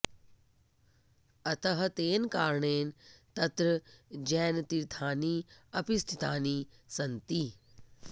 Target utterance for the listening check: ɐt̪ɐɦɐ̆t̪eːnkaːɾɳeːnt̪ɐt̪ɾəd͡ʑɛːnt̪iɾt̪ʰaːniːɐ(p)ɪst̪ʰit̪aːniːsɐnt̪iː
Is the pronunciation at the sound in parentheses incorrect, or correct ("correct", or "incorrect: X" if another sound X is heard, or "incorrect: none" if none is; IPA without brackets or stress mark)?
correct